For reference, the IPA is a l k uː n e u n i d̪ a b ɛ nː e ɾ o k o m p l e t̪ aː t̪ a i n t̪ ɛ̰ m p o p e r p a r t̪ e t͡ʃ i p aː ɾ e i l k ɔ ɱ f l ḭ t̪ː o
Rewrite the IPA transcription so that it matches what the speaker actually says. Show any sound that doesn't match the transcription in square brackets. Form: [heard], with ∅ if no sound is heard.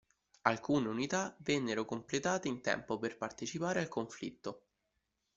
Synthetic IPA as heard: a l k uː n e u n i [t̪] a [v] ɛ nː e ɾ o k o m p l e t̪ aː t̪ [e] i n t̪ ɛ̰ m p o p e r p a r t̪ e t͡ʃ i p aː ɾ e [a] l k [o] ɱ f l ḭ t̪ː o